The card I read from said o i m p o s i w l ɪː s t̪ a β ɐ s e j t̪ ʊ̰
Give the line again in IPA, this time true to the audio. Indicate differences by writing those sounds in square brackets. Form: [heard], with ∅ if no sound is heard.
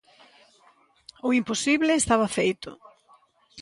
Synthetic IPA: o i m p o s i [β] l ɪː s t̪ a β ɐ [f] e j t̪ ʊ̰